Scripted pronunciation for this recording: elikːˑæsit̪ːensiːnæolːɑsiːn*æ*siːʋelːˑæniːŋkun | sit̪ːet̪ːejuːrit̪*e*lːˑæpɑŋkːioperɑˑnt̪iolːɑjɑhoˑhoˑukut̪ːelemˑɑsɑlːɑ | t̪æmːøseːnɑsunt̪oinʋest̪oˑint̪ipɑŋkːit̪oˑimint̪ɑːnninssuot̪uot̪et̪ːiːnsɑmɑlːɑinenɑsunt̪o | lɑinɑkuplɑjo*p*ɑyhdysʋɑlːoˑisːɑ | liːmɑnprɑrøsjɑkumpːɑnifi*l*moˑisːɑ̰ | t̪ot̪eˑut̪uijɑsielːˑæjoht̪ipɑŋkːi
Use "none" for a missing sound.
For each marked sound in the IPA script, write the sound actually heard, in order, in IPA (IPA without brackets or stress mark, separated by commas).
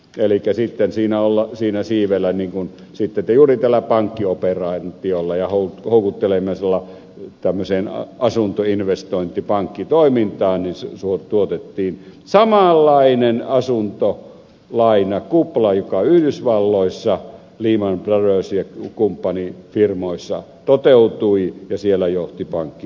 æ, æ, k, r